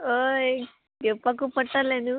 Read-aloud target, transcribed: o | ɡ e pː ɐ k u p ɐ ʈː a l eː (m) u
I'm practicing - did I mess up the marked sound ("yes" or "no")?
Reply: yes